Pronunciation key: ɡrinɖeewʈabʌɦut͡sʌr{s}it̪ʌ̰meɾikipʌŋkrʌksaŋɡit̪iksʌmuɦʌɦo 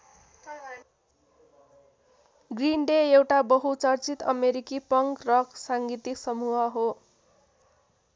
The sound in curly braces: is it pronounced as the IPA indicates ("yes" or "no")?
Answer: no